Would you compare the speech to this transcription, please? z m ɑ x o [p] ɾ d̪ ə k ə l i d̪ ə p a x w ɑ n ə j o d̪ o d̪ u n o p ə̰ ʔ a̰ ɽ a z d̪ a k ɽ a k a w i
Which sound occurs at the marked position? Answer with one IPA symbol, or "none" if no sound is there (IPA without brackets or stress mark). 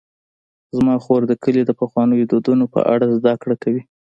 none